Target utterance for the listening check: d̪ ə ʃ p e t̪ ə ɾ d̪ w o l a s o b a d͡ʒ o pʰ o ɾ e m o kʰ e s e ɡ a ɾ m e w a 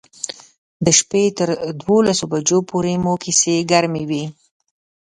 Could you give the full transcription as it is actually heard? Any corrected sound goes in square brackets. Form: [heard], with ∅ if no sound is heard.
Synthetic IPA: d̪ ə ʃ p e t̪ ə ɾ d̪ w o l a s o b a d͡ʒ o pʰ o ɾ e m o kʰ [i] s e ɡ a ɾ m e w [i]